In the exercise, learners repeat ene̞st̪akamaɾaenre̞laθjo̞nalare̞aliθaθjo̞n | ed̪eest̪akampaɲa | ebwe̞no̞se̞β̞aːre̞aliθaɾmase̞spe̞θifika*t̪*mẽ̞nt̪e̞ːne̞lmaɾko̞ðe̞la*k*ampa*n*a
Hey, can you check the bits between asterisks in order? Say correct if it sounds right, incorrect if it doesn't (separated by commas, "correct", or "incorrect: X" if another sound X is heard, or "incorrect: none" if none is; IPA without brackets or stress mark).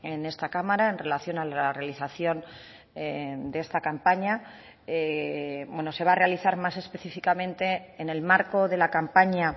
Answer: incorrect: none, correct, incorrect: ɲ